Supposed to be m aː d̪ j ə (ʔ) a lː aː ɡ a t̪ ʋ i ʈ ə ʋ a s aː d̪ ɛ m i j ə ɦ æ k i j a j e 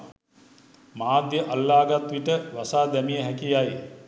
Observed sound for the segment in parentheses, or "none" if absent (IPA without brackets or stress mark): ʔ